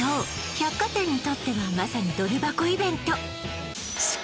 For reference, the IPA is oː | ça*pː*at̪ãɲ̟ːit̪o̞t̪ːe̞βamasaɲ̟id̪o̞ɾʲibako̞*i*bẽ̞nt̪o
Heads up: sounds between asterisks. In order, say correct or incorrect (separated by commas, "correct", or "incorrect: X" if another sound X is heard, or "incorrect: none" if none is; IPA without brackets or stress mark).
incorrect: kː, correct